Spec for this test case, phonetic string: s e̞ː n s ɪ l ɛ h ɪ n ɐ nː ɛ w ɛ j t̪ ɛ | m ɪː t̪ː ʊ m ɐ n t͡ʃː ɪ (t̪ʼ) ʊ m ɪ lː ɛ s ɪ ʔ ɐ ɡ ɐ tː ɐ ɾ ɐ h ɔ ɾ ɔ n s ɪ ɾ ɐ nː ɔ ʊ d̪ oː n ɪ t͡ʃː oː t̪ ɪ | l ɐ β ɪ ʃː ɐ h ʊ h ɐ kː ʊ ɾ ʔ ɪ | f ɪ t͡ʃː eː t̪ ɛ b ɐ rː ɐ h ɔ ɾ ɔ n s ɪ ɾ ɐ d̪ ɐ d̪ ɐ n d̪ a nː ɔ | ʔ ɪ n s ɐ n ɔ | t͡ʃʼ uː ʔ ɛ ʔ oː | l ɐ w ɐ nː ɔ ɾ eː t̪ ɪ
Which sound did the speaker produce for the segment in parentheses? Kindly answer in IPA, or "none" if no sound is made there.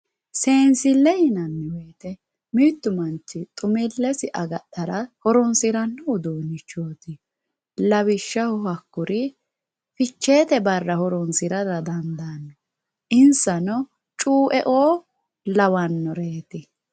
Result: t̪ʼ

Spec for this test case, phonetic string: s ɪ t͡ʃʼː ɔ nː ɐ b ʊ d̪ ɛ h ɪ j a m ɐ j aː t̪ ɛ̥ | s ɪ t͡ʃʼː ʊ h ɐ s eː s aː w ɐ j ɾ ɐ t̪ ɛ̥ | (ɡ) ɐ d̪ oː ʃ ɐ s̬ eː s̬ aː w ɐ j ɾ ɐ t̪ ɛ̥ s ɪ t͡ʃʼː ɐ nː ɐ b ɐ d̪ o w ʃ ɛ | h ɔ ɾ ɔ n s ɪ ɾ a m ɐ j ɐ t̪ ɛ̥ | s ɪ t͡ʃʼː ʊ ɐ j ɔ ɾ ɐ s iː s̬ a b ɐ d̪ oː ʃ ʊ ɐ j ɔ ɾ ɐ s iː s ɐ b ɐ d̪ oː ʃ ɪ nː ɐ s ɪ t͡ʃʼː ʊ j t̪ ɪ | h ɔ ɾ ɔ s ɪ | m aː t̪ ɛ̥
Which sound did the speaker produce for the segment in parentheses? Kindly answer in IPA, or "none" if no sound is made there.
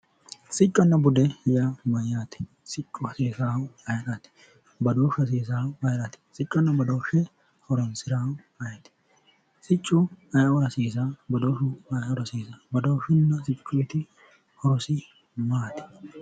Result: b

